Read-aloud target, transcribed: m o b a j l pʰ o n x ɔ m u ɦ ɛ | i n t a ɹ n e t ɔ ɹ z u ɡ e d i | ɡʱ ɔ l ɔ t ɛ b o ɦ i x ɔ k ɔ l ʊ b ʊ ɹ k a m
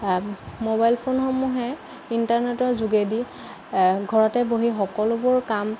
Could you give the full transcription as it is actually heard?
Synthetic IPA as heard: m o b a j l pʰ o n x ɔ m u ɦ ɛ | i n t a ɹ n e t ɔ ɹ z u ɡ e d i | ɡʱ ɔ ɹ ɔ t ɛ b o ɦ i x ɔ k ɔ l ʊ b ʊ ɹ k a m